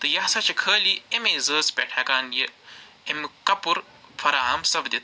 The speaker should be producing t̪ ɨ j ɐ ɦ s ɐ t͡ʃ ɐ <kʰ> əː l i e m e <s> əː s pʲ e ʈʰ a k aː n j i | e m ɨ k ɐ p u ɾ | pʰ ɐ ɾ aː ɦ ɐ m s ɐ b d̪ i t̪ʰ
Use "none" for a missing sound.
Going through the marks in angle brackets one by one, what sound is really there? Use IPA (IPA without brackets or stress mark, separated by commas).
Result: kʰ, z